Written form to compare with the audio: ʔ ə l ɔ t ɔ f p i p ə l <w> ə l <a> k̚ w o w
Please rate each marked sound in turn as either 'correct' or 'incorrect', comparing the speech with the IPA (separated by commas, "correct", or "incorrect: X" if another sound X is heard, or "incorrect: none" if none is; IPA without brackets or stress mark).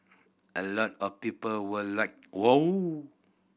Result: correct, correct